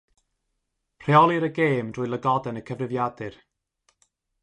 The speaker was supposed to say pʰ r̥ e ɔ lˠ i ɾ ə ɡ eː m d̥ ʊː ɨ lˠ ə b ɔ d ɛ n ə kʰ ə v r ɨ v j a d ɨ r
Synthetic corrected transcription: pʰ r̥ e ɔ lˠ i ɾ ə ɡ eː m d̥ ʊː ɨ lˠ ə ɡ ɔ d ɛ n ə kʰ ə v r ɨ v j a d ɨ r